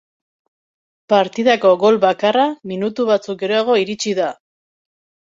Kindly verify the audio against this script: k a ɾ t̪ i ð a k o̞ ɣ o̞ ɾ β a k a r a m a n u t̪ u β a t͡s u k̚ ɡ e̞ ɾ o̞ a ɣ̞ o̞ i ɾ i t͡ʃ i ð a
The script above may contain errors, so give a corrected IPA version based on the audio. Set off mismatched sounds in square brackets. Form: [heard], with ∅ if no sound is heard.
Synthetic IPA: [p] a ɾ t̪ i ð a k o̞ ɣ o̞ [l] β a k a r a m [i] n u t̪ u β a t͡s u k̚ ɡ e̞ ɾ o̞ a ɣ̞ o̞ i ɾ i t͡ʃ i ð a